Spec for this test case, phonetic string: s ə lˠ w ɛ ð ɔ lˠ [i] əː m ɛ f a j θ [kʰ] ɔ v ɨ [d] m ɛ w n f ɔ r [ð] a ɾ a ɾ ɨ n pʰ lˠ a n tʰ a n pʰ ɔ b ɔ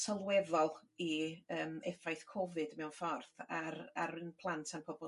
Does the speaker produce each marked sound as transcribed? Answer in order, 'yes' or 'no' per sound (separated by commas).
yes, yes, yes, no